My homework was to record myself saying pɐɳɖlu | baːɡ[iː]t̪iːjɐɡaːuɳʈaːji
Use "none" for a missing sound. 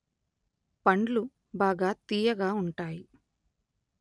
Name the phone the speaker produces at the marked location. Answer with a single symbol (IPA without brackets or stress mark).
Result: aː